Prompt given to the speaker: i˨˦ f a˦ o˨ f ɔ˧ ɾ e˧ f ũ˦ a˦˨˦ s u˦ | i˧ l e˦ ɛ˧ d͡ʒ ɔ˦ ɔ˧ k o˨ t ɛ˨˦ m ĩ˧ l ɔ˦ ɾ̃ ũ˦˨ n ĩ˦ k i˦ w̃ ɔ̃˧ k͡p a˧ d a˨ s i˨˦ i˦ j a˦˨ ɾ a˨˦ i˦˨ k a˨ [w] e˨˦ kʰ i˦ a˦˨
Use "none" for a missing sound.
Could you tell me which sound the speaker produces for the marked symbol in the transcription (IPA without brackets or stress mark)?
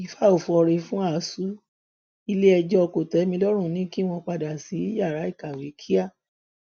w